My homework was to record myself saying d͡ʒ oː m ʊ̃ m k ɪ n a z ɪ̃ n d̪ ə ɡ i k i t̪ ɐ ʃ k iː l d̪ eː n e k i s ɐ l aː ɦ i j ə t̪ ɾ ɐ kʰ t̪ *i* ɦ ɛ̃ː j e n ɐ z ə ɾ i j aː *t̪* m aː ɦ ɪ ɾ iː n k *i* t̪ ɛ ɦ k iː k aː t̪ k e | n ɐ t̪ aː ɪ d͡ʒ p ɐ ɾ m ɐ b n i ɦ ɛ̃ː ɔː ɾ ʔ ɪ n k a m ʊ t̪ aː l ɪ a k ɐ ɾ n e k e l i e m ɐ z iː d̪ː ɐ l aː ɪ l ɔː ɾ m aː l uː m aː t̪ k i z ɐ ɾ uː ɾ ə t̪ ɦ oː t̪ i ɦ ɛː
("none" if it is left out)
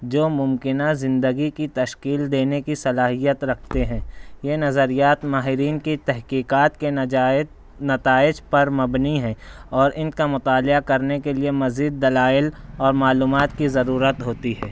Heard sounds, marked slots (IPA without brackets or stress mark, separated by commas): e, t̪, i